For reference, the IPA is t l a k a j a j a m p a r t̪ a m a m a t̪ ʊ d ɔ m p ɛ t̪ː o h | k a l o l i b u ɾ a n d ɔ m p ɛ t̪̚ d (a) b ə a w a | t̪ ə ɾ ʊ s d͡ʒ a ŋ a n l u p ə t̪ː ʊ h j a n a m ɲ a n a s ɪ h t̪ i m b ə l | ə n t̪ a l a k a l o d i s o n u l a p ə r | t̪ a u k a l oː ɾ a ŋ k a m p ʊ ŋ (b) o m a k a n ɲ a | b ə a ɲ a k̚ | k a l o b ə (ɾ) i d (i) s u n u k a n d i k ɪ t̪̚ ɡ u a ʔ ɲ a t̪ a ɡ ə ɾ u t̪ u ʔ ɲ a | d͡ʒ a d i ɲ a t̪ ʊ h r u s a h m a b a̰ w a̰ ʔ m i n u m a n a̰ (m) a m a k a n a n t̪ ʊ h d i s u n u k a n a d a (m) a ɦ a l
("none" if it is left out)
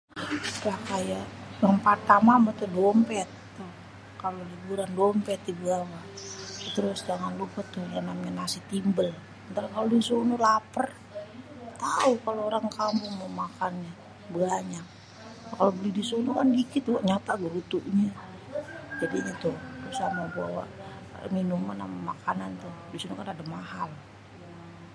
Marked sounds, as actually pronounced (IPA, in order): i, m, l, i, m, m

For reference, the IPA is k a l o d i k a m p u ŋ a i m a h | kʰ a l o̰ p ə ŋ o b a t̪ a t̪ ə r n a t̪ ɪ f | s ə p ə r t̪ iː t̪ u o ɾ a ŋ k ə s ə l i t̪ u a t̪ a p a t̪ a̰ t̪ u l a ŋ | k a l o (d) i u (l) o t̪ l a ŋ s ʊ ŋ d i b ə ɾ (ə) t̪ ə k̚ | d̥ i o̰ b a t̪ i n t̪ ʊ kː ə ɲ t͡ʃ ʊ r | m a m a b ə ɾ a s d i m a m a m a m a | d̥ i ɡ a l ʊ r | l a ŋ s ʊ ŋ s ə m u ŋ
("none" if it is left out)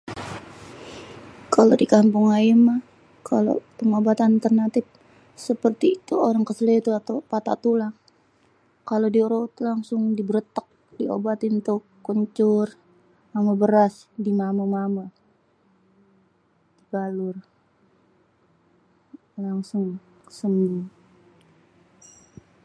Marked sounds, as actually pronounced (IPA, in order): d, ɾ, ə

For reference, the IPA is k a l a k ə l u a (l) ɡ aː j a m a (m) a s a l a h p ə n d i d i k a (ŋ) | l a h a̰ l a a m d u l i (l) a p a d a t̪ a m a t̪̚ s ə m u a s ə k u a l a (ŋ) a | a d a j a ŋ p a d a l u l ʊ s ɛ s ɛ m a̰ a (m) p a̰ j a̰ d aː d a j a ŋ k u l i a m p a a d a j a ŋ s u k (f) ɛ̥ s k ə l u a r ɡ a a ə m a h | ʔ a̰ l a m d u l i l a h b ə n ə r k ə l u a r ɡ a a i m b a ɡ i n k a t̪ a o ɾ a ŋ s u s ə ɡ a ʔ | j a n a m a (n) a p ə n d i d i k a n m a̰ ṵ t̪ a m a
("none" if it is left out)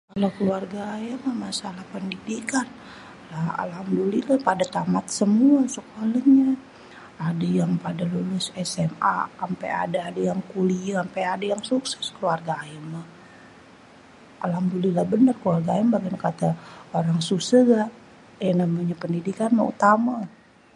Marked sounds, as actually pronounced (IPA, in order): r, m, n, l, ɲ, m, s, ɲ

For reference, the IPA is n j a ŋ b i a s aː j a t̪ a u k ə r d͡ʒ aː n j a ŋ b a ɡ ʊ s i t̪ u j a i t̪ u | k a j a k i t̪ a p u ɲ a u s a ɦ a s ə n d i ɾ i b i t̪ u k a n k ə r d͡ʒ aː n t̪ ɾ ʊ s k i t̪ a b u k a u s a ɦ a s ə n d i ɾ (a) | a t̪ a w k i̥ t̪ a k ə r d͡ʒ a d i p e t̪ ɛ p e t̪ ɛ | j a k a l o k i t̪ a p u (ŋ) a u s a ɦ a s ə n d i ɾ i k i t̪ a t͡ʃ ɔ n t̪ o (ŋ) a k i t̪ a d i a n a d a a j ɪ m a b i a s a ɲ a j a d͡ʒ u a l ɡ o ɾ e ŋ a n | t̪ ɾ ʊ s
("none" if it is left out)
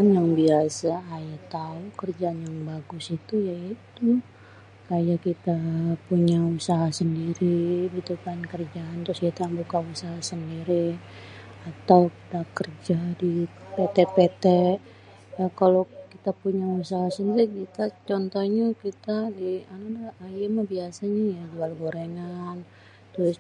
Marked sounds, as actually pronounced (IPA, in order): i, ɲ, ɲ

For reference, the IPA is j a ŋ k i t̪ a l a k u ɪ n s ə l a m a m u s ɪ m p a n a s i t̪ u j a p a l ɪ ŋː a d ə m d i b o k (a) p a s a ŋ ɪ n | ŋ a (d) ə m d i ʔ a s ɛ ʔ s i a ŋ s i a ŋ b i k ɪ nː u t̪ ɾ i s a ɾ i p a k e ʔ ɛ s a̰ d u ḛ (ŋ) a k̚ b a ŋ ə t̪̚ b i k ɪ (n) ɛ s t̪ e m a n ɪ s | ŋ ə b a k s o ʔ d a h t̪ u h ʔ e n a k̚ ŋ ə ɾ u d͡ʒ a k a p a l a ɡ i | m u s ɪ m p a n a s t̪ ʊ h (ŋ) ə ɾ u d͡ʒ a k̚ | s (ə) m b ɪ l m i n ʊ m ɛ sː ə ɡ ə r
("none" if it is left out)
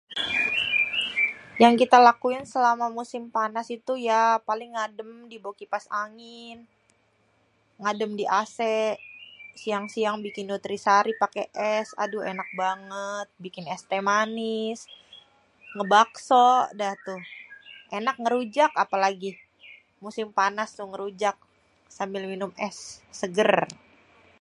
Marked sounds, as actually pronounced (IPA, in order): i, d, n, n, ŋ, a

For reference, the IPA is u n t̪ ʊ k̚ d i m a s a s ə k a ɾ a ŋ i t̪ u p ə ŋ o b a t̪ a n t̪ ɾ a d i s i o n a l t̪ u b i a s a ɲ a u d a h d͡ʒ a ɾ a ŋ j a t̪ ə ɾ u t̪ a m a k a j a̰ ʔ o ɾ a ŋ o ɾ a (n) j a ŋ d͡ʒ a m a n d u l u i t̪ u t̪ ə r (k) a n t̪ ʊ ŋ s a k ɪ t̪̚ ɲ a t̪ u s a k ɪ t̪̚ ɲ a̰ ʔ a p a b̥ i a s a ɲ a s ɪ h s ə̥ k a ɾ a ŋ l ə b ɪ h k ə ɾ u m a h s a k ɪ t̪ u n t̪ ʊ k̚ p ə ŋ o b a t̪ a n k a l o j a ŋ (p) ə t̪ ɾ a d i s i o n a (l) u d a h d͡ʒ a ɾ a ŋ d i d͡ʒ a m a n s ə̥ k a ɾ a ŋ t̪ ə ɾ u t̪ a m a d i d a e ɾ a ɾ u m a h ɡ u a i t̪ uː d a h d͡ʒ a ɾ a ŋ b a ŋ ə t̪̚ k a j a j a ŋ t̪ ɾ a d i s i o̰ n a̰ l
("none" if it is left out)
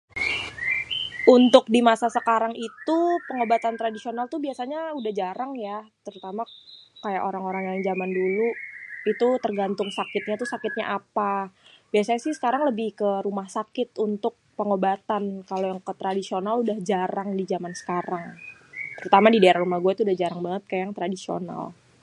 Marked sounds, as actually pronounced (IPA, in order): ŋ, ɡ, k, l

